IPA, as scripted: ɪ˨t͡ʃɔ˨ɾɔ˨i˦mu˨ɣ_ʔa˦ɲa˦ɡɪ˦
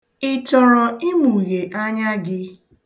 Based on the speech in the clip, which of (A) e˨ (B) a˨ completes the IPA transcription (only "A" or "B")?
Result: A